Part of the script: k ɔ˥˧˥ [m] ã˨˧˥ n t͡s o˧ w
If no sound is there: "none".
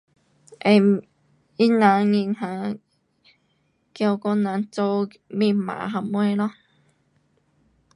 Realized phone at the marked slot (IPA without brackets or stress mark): n